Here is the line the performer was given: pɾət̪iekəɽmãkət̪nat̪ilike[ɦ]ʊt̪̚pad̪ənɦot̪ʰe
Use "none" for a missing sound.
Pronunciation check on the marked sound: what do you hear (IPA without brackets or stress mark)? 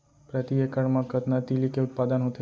none